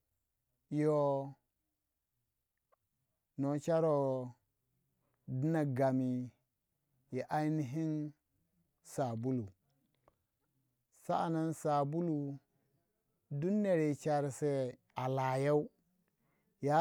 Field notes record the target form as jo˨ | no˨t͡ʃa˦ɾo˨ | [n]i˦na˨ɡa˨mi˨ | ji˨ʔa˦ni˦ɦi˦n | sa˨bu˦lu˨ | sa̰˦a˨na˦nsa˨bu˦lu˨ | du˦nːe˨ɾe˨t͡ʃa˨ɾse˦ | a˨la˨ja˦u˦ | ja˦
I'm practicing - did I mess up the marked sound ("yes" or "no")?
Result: yes